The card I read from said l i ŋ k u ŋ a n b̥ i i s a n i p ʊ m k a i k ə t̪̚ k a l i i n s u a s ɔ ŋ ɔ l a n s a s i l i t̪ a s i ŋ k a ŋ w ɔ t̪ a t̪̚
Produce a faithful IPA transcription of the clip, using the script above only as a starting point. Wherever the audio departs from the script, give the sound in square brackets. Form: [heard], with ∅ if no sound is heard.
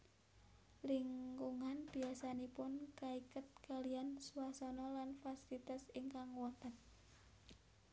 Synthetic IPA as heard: l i ŋ k u ŋ a n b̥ i [a] s a n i p ʊ [n] k a i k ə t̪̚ k a l i [a] n s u a s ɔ [n] ɔ l a n [f] a s i l i t̪ a s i ŋ k a ŋ w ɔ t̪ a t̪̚